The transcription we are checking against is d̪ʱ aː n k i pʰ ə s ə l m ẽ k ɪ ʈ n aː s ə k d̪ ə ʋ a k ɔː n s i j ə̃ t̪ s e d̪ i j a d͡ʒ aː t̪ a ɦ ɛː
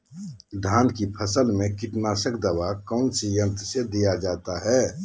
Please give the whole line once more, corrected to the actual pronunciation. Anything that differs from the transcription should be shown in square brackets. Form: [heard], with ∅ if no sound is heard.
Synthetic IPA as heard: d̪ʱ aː n k i pʰ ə s ə l m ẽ k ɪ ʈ n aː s ə k d̪ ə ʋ a k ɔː n s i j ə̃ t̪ s e d̪ i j a d͡ʒ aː t̪ a ɦ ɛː